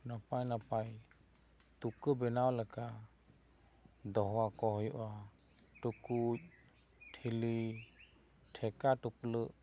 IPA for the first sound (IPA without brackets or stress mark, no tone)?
n